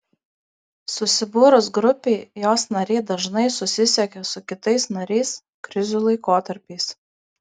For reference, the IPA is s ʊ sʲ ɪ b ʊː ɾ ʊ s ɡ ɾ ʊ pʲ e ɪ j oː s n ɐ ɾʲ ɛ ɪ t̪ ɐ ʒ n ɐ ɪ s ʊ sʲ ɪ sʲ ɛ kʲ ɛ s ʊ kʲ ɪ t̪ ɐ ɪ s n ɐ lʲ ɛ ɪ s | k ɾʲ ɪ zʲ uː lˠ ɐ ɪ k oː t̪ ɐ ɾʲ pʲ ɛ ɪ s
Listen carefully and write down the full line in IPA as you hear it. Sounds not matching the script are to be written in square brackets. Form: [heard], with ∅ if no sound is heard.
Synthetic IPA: s ʊ sʲ ɪ b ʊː ɾ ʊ s ɡ ɾ ʊ pʲ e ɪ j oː s n ɐ ɾʲ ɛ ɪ [d̪] ɐ ʒ n ɐ ɪ s ʊ sʲ ɪ sʲ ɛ kʲ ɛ s ʊ kʲ ɪ t̪ ɐ ɪ s n ɐ [ɾʲ] ɛ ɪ s | k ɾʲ ɪ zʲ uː lˠ ɐ ɪ k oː t̪ ɐ ɾʲ pʲ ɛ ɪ s

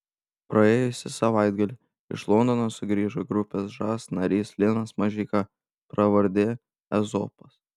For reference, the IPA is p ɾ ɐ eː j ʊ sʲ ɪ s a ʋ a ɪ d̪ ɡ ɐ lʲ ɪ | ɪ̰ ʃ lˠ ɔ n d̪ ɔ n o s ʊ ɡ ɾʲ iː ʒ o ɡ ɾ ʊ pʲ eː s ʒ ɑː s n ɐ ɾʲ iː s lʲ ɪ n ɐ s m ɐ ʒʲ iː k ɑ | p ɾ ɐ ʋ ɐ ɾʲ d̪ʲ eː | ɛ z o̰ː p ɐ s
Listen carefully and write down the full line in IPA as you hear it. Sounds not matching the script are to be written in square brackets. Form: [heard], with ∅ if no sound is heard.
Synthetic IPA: p ɾ ɐ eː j ʊ sʲ ɪ s [ɐ] ʋ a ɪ d̪ ɡ ɐ lʲ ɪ | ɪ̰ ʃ lˠ ɔ n d̪ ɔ n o s ʊ ɡ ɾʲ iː ʒ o ɡ ɾ ʊ pʲ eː s ʒ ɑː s n ɐ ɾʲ iː s lʲ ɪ n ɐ s m ɐ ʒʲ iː k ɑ | p ɾ ɐ ʋ ɐ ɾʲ d̪ʲ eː | ɛ z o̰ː p ɐ s

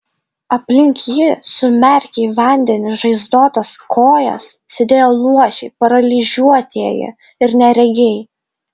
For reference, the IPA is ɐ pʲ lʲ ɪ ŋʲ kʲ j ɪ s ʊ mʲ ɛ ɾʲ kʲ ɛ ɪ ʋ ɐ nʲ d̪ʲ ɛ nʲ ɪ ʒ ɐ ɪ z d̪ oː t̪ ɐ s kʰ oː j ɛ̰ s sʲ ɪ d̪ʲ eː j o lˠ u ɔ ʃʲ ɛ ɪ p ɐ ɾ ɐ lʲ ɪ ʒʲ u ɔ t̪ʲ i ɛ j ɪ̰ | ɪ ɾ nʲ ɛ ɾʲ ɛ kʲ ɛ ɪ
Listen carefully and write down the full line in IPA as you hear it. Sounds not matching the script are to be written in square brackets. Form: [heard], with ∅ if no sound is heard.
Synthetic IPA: ɐ pʲ lʲ ɪ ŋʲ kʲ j ɪ s ʊ mʲ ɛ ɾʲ kʲ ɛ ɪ ʋ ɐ nʲ d̪ʲ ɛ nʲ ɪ ʒ ɐ ɪ z d̪ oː t̪ ɐ s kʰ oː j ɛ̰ s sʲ ɪ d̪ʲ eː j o lˠ u ɔ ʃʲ ɛ ɪ p ɐ ɾ ɐ lʲ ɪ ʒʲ u ɔ t̪ʲ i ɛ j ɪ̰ | ɪ ɾ nʲ ɛ ɾʲ ɛ [ɡʲ] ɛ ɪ

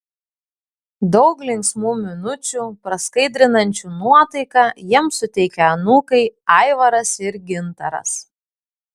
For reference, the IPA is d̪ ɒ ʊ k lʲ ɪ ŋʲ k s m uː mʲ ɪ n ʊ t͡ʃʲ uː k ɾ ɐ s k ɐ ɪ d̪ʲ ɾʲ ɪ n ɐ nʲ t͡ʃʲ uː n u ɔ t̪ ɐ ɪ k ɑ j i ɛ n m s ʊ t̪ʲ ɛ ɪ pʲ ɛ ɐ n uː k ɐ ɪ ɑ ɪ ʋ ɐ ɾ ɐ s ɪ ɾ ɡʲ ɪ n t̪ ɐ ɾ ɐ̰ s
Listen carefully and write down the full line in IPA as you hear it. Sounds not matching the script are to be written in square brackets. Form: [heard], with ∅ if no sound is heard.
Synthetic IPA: d̪ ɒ ʊ k lʲ ɪ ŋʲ k s m uː mʲ ɪ n ʊ t͡ʃʲ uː [p] ɾ ɐ s k ɐ ɪ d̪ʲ ɾʲ ɪ n ɐ nʲ t͡ʃʲ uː n u ɔ t̪ ɐ ɪ k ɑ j i ɛ [∅] m s ʊ t̪ʲ ɛ ɪ [kʲ] ɛ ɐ n uː k ɐ ɪ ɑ ɪ ʋ ɐ ɾ ɐ s ɪ ɾ ɡʲ ɪ n t̪ ɐ ɾ ɐ̰ s

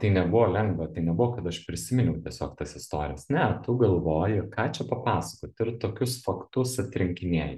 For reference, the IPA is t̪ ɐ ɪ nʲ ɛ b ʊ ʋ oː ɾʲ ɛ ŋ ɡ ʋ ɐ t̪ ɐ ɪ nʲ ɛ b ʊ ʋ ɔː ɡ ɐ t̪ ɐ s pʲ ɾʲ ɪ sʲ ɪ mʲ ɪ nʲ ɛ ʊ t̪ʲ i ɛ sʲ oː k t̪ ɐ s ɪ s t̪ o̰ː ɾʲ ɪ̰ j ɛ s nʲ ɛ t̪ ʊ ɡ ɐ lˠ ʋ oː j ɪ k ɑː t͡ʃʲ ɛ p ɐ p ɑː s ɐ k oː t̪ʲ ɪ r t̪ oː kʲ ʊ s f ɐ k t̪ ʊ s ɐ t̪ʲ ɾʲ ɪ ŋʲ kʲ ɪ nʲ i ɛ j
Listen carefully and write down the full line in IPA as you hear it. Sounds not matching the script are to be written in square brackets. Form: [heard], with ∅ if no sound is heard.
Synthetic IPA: t̪ ɐ ɪ nʲ ɛ b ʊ ʋ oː [lʲ] ɛ ŋ ɡ ʋ ɐ t̪ ɐ ɪ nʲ ɛ b ʊ ʋ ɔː [k] ɐ t̪ ɐ [ʃ] pʲ ɾʲ ɪ sʲ ɪ mʲ ɪ nʲ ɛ ʊ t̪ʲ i ɛ sʲ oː k t̪ ɐ s ɪ s t̪ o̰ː ɾʲ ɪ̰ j ɛ s nʲ ɛ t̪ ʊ ɡ ɐ lˠ ʋ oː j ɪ k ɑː t͡ʃʲ ɛ p ɐ p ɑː s ɐ k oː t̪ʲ ɪ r t̪ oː kʲ ʊ s f ɐ k t̪ ʊ s ɐ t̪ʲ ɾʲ ɪ ŋʲ kʲ ɪ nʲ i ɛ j

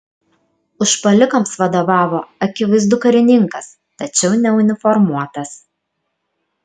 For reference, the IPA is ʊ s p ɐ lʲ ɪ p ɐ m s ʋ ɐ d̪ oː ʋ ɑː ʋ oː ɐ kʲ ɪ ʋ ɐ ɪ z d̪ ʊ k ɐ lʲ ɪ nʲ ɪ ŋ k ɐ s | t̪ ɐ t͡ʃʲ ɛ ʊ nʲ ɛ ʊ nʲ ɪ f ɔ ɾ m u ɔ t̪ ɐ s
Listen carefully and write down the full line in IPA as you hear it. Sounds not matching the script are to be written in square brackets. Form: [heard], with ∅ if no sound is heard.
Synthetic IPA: ʊ [ʃ] p ɐ lʲ ɪ [k] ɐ m s ʋ ɐ d̪ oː ʋ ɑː ʋ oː ɐ kʲ ɪ ʋ ɐ ɪ z d̪ ʊ k ɐ [ɾʲ] ɪ nʲ ɪ ŋ k ɐ s | t̪ ɐ t͡ʃʲ ɛ ʊ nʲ ɛ ʊ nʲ ɪ f ɔ ɾ m u ɔ t̪ ɐ s

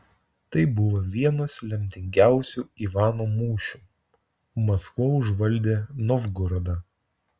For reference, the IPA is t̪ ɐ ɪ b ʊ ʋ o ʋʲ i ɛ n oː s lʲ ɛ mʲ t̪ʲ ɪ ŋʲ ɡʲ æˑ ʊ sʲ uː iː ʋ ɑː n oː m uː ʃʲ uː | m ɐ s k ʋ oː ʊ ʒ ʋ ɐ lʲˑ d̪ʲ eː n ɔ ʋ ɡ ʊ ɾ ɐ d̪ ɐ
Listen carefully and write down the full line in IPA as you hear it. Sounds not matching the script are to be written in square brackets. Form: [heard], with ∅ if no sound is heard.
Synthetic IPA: t̪ ɐ ɪ b ʊ ʋ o ʋʲ i ɛ n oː s lʲ ɛ mʲ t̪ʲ ɪ ŋʲ ɡʲ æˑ ʊ sʲ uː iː ʋ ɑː n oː m uː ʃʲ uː | m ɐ s k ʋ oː ʊ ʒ ʋ ɐ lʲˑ d̪ʲ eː n ɔ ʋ ɡ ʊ ɾ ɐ d̪ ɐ

